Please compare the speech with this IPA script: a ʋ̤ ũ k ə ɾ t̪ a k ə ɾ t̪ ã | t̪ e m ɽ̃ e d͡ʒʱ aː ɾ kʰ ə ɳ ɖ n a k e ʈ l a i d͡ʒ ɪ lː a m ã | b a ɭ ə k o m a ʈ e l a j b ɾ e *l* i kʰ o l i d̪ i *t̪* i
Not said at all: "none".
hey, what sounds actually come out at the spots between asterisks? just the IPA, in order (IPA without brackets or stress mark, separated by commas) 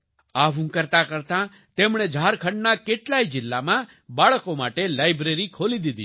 ɾ, d̪